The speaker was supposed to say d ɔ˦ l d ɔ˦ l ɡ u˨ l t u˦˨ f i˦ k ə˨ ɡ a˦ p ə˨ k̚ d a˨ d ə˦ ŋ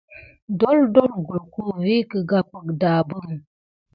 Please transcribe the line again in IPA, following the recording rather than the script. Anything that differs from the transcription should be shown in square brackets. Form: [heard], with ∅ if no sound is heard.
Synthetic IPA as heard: d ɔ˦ l d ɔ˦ l ɡ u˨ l [k] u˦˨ [v] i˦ k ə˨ ɡ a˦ p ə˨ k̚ d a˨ [b] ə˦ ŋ